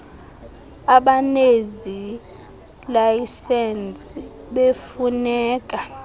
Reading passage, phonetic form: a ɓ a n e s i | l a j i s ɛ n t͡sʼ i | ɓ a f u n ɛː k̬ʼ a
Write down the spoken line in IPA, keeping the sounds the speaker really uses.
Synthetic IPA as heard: a ɓ a n e z i | l a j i s ɛ n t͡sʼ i | ɓ e f u n ɛː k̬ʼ a